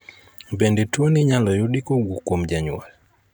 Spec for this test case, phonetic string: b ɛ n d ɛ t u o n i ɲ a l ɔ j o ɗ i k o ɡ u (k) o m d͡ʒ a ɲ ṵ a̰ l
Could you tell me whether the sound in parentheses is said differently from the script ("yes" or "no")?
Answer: no